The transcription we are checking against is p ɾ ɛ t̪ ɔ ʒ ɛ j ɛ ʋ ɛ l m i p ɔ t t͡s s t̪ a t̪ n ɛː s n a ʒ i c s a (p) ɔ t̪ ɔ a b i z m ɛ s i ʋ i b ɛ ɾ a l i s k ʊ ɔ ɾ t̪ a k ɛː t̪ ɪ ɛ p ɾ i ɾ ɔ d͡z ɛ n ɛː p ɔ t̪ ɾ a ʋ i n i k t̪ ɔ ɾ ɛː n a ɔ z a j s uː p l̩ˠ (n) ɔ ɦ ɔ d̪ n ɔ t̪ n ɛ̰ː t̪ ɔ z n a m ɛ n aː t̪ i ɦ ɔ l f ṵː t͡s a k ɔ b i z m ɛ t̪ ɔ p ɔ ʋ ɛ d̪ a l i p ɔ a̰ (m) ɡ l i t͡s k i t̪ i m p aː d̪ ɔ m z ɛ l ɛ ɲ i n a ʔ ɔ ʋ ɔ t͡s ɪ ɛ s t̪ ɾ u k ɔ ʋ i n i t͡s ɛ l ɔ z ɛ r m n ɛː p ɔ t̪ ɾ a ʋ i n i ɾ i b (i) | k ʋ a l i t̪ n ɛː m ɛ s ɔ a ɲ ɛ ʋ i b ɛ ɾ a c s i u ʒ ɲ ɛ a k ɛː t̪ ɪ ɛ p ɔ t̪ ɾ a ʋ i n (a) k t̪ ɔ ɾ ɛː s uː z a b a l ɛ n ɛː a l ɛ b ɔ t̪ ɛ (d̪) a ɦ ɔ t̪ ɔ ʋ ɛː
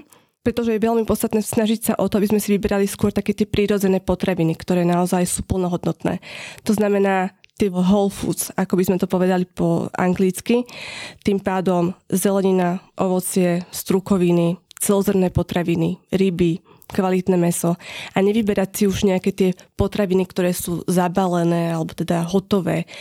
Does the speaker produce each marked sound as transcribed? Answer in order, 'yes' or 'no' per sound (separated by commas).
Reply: no, yes, no, yes, no, yes